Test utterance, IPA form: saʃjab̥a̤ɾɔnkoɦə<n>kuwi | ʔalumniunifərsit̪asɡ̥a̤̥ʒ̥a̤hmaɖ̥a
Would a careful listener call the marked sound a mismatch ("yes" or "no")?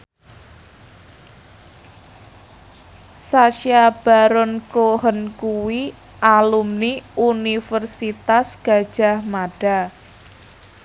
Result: no